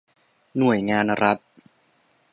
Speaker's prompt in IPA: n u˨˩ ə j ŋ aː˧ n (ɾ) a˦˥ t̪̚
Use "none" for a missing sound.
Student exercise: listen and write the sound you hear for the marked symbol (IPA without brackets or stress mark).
ɾ